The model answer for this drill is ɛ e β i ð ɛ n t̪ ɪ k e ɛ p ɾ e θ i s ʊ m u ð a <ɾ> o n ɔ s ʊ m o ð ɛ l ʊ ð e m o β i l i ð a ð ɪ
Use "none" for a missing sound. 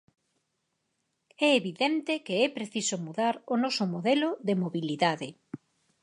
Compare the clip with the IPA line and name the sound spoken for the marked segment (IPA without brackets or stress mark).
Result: ɾ